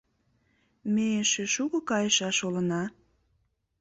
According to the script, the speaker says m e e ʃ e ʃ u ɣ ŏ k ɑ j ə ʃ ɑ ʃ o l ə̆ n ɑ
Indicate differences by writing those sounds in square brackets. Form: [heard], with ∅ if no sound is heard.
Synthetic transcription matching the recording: m e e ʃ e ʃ u ɣ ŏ k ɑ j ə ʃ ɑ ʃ o l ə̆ n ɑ

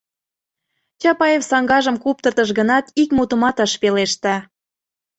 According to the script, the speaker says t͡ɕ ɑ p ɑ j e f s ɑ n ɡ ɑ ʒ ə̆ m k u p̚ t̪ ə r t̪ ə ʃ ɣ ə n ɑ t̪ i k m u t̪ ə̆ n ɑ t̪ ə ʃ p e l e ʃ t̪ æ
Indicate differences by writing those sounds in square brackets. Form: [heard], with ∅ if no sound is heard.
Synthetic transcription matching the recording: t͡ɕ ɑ p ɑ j e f s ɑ [ŋ] ɡ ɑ ʒ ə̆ m k u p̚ t̪ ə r t̪ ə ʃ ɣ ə n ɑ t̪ i k m u t̪ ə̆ [m] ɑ t̪ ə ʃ p e l e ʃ t̪ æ

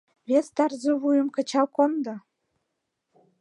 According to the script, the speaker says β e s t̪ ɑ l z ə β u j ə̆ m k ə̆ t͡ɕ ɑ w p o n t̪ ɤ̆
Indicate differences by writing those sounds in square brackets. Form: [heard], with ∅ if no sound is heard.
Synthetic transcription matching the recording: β e s t̪ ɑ [r] z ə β u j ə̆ m k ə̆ t͡ɕ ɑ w [k] o n [d̪] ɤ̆

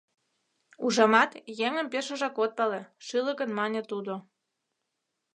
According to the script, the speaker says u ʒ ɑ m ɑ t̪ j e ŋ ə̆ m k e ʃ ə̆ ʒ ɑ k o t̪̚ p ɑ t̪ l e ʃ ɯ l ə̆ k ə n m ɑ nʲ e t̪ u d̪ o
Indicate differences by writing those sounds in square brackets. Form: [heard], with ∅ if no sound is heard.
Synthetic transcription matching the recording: u ʒ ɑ m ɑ t̪ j e ŋ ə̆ m [p] e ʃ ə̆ ʒ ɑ k o t̪̚ p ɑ [∅] l e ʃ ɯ l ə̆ k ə n m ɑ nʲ e t̪ u d̪ o

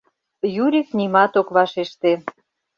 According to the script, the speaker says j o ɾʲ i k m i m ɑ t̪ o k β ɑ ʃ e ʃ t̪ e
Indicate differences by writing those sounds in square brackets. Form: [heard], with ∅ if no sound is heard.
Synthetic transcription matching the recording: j [u] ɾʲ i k [n] i m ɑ t̪ o k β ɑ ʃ e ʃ t̪ e

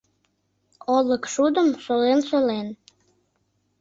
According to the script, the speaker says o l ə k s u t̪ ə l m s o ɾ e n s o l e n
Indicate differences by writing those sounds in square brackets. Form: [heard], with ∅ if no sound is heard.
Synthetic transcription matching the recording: o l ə k [ʃ] u [d̪] ə [∅] m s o [l] e n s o l e n

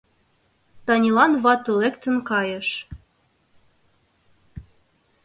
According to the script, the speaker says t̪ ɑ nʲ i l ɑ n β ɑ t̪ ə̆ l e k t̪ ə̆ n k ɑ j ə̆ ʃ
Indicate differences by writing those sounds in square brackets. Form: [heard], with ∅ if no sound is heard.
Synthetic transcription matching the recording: t̪ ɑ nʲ i l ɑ n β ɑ t̪ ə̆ l e k t̪ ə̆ n k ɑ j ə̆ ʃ

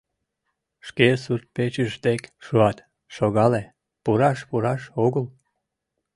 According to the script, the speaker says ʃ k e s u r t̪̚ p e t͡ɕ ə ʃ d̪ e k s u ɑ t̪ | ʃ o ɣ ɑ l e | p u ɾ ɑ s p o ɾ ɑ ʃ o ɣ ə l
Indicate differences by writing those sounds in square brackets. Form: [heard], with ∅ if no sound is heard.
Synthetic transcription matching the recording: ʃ k e s u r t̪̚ p e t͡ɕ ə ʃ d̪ e k [ʃ] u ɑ t̪ | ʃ o ɣ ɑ l e | p u ɾ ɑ [ʃ] p [u] ɾ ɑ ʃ o ɣ ə l

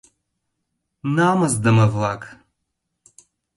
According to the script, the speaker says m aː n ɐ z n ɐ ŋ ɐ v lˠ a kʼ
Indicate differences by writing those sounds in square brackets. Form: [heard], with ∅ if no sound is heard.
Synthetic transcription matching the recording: [n] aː [m] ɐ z [d] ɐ [m] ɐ v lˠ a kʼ

